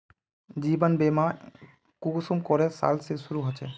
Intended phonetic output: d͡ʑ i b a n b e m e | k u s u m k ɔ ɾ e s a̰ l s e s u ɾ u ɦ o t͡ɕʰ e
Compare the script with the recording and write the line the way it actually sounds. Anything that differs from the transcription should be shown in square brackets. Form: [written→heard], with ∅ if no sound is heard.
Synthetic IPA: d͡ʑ i b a n b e m [e→a] | k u s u m k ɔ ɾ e s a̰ l s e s u ɾ u ɦ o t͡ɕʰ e